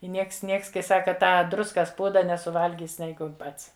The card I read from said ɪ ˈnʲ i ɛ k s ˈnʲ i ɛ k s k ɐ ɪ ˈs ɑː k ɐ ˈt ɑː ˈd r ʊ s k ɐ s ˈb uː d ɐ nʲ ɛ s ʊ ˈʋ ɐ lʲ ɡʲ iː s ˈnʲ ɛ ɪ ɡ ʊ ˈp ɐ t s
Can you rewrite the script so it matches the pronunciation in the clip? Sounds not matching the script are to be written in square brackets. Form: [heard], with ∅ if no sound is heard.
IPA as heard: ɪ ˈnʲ i ɛ k s ˈnʲ i ɛ k s k ɐ ɪ ˈs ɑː k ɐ ˈt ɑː ˈd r ʊ s k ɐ s [ˈp] uː d ɐ nʲ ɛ s ʊ ˈʋ ɐ lʲ ɡʲ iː s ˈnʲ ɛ ɪ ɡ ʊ ˈp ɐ t s